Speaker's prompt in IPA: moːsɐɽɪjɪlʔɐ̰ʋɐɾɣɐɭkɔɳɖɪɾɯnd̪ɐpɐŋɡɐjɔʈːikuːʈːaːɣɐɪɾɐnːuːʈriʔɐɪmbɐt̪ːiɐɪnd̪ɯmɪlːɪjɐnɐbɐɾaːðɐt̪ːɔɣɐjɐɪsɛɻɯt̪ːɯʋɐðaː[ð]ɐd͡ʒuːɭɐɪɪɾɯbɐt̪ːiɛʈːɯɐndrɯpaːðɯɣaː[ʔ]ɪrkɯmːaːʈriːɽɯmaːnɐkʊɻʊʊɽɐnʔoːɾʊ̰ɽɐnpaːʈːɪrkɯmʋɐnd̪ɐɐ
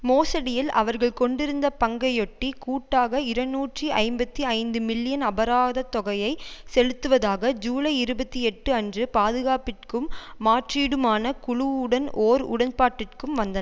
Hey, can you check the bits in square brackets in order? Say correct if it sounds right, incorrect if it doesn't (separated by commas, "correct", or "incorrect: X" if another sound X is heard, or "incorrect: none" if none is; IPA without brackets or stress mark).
incorrect: ɣ, incorrect: p